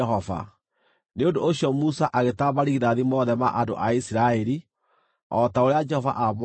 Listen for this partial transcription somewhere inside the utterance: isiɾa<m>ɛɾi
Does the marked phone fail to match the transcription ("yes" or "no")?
yes